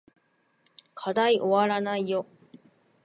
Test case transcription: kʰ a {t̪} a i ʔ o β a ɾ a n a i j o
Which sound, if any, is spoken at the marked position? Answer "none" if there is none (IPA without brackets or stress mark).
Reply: d̪